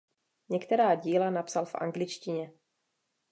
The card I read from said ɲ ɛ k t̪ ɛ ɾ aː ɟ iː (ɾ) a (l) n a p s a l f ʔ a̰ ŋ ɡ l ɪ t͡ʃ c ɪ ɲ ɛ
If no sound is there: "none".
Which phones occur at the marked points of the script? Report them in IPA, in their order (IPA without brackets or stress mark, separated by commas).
l, none